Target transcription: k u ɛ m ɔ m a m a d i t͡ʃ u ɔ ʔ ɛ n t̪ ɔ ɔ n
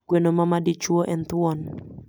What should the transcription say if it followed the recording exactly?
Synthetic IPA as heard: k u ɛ n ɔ m a m a d i t͡ʃ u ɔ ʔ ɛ n t̪ u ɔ n